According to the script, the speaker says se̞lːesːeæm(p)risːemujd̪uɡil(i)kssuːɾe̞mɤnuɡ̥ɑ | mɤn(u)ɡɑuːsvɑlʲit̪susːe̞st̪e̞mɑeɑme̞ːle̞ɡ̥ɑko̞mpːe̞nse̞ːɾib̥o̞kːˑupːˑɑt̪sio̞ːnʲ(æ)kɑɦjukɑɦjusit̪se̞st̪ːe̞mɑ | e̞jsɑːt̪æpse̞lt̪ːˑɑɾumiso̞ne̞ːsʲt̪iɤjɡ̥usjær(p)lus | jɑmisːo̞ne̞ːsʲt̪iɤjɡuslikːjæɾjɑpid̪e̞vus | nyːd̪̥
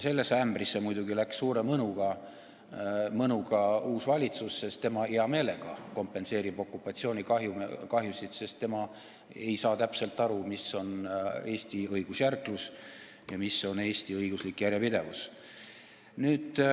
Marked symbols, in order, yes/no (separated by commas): no, no, yes, no, no